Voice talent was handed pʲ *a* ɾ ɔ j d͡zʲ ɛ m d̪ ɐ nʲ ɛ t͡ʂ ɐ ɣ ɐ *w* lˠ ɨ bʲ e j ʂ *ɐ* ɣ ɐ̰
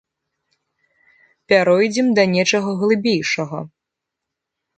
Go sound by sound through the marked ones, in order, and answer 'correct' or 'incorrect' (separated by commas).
correct, incorrect, correct